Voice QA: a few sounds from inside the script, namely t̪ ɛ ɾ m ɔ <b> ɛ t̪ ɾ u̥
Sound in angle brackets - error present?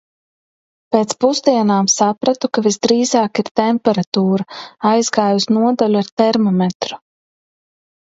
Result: yes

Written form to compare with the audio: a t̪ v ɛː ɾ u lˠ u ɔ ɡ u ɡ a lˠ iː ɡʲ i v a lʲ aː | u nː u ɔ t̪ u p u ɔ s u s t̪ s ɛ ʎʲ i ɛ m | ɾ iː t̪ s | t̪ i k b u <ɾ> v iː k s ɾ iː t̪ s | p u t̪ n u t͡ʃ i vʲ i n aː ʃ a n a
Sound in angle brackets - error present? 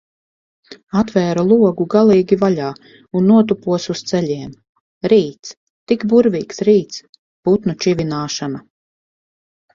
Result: no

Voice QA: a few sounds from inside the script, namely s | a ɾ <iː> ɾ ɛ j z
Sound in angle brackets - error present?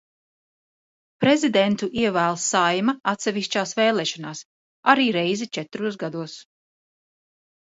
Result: no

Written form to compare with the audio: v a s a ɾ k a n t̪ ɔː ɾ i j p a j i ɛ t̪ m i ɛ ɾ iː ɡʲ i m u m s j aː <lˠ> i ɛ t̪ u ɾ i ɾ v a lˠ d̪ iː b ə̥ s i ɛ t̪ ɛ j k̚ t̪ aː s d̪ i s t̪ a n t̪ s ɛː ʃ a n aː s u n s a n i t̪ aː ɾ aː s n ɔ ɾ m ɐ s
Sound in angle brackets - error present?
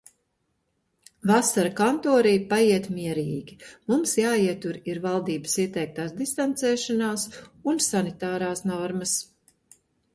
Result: yes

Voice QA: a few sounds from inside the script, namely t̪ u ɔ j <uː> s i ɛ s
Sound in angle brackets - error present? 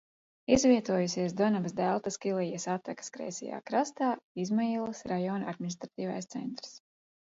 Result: yes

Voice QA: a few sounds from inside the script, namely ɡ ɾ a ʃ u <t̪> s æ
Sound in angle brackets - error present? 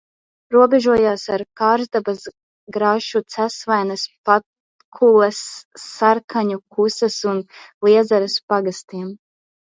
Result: no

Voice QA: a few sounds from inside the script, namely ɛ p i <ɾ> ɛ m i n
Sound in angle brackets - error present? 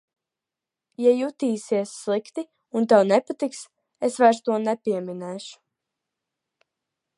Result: yes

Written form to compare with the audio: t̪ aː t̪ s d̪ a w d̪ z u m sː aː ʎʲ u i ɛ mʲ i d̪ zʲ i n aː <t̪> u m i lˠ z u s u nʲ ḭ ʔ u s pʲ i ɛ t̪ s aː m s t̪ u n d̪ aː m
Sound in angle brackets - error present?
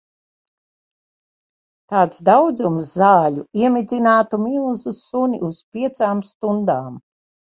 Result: no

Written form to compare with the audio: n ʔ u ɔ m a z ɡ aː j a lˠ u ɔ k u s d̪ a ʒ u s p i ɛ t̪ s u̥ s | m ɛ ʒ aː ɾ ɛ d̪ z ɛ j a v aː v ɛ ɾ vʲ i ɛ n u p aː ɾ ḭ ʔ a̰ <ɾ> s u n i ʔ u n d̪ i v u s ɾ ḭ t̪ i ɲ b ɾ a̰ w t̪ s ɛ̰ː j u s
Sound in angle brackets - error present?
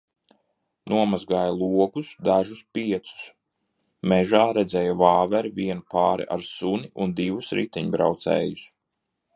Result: no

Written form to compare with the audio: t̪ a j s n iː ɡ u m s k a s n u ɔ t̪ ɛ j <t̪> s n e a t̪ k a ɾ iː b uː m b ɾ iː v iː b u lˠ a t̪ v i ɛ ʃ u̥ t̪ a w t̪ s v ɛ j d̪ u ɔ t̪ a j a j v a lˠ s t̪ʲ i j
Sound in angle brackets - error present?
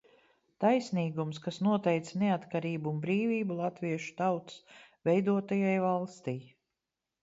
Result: no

